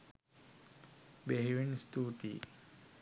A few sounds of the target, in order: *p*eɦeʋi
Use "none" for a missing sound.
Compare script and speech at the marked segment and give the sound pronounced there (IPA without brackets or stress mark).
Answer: b